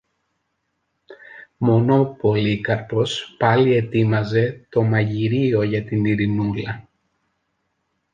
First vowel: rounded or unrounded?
rounded